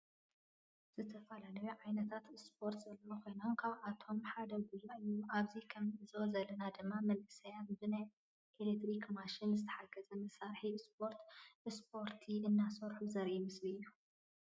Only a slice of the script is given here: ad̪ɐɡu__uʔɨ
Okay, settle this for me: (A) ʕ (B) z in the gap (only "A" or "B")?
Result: B